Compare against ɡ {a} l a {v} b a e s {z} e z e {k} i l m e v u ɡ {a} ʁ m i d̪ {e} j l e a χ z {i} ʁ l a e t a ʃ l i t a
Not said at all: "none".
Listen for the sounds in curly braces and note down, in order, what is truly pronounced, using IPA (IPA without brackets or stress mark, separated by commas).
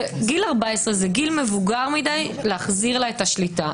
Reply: i, ʁ, ʁ, ɡ, a, a, i